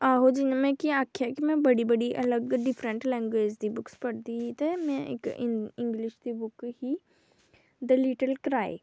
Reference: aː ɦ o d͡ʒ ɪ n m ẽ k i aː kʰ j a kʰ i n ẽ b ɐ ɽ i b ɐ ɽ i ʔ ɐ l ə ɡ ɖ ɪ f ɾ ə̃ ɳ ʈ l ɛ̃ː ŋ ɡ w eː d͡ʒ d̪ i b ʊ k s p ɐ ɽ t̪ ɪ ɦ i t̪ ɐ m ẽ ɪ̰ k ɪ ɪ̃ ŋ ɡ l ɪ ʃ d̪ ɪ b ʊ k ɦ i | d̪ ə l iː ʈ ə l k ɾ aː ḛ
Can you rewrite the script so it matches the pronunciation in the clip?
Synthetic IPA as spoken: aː ɦ o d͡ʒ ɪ n m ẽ k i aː kʰ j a k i m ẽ b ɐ ɽ i b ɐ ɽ i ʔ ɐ l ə ɡ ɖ ɪ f ɾ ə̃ ɳ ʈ l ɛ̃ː ŋ ɡ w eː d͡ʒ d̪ i b ʊ k s p ɐ ɽ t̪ i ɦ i t̪ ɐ m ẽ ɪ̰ k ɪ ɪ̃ ŋ ɡ l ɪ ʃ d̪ i b ʊ k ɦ i | d̪ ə l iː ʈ ə l k ɾ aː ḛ